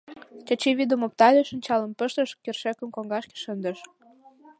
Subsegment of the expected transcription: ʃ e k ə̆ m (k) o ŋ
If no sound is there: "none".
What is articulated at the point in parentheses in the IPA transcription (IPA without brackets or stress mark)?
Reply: k